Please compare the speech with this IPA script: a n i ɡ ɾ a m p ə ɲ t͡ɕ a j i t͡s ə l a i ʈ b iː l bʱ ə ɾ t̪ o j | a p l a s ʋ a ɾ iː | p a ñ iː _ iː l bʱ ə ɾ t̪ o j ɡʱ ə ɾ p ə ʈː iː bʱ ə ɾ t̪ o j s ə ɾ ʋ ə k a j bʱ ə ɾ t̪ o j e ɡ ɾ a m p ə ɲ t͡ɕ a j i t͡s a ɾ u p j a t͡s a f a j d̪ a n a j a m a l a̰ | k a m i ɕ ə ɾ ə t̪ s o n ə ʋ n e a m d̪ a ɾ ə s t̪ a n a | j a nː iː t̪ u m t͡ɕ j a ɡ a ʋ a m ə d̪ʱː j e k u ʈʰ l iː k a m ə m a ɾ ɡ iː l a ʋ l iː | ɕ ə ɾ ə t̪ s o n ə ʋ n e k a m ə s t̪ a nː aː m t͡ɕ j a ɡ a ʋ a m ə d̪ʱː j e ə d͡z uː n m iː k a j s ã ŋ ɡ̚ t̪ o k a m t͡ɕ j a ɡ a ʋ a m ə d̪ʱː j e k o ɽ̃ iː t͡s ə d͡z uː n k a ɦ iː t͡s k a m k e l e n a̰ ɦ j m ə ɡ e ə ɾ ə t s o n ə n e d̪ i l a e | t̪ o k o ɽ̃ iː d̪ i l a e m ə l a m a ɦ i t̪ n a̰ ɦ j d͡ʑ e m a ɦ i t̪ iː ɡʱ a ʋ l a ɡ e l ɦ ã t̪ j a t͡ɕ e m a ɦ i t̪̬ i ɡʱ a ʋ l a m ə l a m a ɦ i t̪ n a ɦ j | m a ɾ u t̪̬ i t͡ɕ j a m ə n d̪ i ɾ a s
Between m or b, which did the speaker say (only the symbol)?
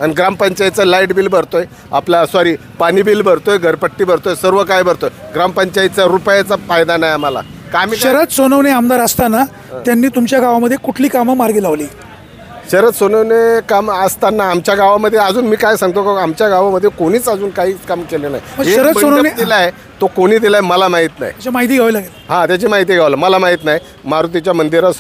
b